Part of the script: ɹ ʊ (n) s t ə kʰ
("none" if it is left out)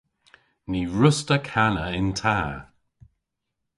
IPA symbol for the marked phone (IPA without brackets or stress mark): none